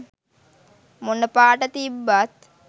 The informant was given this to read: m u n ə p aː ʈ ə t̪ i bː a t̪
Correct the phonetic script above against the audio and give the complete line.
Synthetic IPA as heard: m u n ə p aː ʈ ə t̪ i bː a t̪